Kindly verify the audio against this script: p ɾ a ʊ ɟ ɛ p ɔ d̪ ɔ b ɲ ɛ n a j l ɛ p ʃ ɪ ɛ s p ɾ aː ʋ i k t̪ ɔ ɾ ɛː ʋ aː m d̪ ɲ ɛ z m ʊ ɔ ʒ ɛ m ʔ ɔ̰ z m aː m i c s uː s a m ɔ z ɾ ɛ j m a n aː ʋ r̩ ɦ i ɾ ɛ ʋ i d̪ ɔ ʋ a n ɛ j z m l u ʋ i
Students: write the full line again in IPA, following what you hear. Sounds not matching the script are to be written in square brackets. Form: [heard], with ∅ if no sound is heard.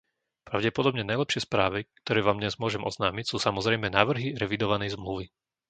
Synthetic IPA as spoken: p ɾ a ʊ ɟ ɛ p ɔ d̪ ɔ b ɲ ɛ n a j l ɛ p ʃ ɪ ɛ s p ɾ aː ʋ i k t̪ ɔ ɾ ɛː ʋ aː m d̪ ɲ ɛ z m ʊ ɔ ʒ ɛ m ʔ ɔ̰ z [n] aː m i c s uː s a m ɔ z ɾ ɛ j m [ɛ] n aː ʋ r̩ ɦ i ɾ ɛ ʋ i d̪ ɔ ʋ a n ɛ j z m l u ʋ i

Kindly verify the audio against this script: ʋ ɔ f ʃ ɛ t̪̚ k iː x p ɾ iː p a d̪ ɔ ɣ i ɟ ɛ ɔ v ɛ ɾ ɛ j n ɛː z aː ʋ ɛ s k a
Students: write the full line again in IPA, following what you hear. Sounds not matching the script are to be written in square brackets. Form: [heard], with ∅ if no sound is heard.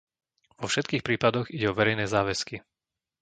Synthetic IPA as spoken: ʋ ɔ f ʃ ɛ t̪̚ k iː x p ɾ iː p a d̪ ɔ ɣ i ɟ ɛ ɔ [ʋ] ɛ ɾ ɛ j n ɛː z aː ʋ ɛ s k [i]

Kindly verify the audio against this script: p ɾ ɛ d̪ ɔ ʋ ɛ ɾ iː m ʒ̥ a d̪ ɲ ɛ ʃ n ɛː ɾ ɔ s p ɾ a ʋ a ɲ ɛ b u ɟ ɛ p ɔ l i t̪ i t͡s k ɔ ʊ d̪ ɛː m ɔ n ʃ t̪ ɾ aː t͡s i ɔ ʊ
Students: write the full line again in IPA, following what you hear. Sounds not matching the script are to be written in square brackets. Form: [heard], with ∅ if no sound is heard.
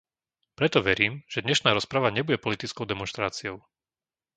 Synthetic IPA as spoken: p ɾ ɛ [t̪] ɔ ʋ ɛ ɾ iː m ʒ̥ [ɛ] d̪ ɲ ɛ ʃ n [aː] ɾ ɔ s p ɾ a ʋ a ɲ ɛ b u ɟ ɛ p ɔ l i t̪ i t͡s k ɔ ʊ d̪ [ɛ] m ɔ n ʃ t̪ ɾ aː t͡s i ɔ ʊ

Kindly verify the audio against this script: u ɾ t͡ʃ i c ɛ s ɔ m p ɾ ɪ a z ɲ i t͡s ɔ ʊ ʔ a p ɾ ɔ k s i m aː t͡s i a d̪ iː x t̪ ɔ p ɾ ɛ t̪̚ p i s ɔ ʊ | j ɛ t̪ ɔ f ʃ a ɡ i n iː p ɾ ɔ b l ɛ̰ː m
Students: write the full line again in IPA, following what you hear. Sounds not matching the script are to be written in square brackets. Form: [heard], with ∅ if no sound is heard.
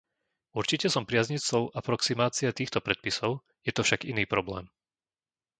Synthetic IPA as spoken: u ɾ t͡ʃ i c ɛ s ɔ m p ɾ ɪ a z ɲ i t͡s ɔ ʊ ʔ a p ɾ ɔ k s i m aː t͡s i a [t̪] iː x t̪ ɔ p ɾ ɛ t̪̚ p i s ɔ ʊ | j ɛ t̪ ɔ f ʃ a ɡ i n iː p ɾ ɔ b l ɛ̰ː m

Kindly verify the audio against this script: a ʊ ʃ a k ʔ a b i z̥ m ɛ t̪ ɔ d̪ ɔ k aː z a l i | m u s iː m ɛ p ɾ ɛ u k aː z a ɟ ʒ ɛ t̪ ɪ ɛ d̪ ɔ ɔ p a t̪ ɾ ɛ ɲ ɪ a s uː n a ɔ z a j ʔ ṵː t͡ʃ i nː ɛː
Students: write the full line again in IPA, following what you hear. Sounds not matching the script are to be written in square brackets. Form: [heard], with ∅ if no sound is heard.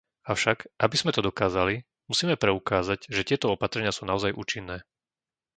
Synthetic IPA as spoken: a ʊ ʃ a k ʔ a b i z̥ m ɛ t̪ ɔ d̪ ɔ k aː z a l i | m u s iː m ɛ p ɾ ɛ u k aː z a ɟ ʒ ɛ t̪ ɪ ɛ [t̪] ɔ ɔ p a t̪ ɾ ɛ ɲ ɪ a s uː n a ɔ z a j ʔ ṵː t͡ʃ i nː ɛː

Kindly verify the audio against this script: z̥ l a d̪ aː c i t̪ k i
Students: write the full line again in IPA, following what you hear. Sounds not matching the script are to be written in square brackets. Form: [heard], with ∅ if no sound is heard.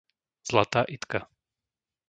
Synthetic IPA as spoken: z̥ l a [t̪] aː [ʔ] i t̪ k [a]

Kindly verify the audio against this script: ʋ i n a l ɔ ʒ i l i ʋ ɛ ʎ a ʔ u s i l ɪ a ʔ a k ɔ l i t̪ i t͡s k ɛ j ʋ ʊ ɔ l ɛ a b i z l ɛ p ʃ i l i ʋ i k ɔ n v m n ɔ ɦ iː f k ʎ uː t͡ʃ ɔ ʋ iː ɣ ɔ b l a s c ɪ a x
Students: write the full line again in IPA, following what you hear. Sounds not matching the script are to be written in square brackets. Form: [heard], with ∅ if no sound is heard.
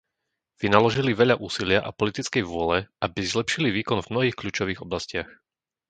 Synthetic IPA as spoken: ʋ i n a l ɔ ʒ i l i ʋ ɛ ʎ a ʔ [uː] s i l ɪ a ʔ a [p] ɔ l i t̪ i t͡s k ɛ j ʋ ʊ ɔ l ɛ a b i z l ɛ p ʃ i l i ʋ [iː] k ɔ n v m n ɔ ɦ iː [x] k ʎ uː t͡ʃ ɔ ʋ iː ɣ ɔ b l a s c ɪ a x

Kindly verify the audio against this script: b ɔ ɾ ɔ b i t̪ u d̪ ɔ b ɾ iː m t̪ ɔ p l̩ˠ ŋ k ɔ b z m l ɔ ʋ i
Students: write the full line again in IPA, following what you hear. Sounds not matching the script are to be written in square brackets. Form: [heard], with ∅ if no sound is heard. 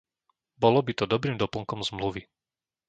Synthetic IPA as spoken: b ɔ [l] ɔ b i t̪ [ɔ] d̪ ɔ b ɾ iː m [d̪] ɔ p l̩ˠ ŋ k ɔ [m] z m l [u] ʋ i

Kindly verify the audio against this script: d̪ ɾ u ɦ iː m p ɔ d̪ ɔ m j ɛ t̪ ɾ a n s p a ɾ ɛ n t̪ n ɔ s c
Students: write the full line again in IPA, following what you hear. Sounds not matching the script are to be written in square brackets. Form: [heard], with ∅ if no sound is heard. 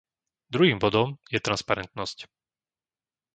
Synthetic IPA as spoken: d̪ ɾ u ɦ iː m [b] ɔ d̪ ɔ m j ɛ t̪ ɾ a n s p a ɾ ɛ n t̪ n ɔ s c

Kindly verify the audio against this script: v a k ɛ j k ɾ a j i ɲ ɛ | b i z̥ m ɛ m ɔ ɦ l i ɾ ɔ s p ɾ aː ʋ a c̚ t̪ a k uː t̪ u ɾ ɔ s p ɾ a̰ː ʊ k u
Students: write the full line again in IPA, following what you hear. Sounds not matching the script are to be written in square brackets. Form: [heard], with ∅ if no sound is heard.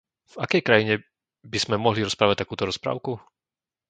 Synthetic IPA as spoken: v a k ɛ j k ɾ a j i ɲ ɛ | b i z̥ m ɛ m ɔ ɦ l i ɾ ɔ s p ɾ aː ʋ a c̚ t̪ a k uː t̪ [ɔ] ɾ ɔ s p ɾ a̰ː ʊ k u

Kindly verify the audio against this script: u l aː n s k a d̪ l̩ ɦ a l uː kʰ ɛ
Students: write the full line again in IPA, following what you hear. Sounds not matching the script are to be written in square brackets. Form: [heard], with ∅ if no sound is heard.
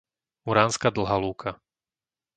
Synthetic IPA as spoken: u [ɾ] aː n s k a d̪ l̩ ɦ a l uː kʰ [a]

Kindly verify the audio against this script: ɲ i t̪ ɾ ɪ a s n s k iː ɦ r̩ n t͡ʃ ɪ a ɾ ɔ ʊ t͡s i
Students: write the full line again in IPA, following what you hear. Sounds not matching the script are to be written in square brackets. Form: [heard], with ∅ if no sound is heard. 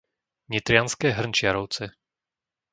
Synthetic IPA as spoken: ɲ i t̪ ɾ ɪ a [∅] n s k [ɛː] ɦ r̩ n t͡ʃ ɪ a ɾ ɔ ʊ t͡s [ɛ]

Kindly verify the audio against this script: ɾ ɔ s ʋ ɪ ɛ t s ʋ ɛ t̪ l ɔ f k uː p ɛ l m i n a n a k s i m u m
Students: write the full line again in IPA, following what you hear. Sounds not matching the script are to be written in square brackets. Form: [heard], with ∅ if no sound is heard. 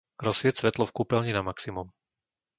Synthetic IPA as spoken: ɾ ɔ s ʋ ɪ ɛ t s ʋ ɛ t̪ l ɔ f k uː p ɛ l [ɲ] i n a [m] a k s i m u m

